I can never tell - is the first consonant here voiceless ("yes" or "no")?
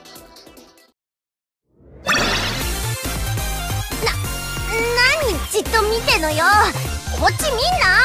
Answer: no